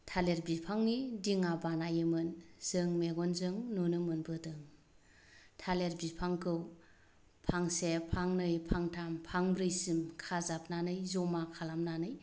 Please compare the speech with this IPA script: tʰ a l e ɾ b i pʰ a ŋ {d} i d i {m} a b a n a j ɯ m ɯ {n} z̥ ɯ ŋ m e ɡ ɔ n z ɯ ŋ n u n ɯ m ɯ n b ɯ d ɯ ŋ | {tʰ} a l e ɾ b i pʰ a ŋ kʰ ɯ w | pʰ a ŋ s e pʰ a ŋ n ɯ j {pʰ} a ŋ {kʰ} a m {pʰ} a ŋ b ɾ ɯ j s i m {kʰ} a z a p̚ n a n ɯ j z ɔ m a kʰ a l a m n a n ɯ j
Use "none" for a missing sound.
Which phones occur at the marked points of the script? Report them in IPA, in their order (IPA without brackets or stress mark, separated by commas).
n, ŋ, n, tʰ, pʰ, tʰ, pʰ, kʰ